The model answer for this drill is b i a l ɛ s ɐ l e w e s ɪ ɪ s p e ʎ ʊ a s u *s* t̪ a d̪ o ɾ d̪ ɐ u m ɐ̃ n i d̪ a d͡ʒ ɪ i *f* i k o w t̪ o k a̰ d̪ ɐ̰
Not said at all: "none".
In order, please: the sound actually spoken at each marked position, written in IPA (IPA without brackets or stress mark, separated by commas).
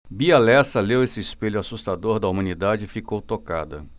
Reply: s, f